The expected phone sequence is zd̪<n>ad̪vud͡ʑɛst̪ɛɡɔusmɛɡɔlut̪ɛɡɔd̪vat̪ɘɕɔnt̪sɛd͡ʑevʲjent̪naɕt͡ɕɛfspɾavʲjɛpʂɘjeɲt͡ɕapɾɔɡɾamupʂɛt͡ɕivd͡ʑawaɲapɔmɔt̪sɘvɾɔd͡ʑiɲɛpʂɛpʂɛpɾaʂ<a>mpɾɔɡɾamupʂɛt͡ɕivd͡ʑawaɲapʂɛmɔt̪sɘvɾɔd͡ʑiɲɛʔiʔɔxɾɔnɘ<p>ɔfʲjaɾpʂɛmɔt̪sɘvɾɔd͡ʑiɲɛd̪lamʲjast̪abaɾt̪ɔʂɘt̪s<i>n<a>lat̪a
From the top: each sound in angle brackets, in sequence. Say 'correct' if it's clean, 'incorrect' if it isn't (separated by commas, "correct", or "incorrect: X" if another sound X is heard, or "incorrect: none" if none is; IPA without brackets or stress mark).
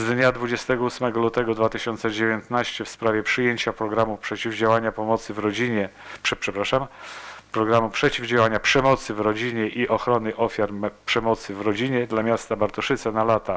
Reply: incorrect: ɲ, correct, incorrect: ʔ, incorrect: ɛ, correct